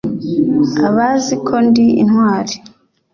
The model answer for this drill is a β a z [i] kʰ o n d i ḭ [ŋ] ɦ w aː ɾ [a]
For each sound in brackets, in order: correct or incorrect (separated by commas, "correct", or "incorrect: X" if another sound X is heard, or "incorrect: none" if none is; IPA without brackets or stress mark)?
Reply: correct, incorrect: n, incorrect: i